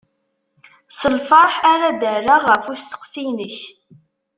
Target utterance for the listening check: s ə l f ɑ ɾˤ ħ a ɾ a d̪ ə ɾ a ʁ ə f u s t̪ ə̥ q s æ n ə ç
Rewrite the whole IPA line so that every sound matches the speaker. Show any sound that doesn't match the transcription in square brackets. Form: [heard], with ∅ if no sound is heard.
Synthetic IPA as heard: s ə l f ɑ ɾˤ ħ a ɾ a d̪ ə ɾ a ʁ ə f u s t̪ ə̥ q s [i] n ə ç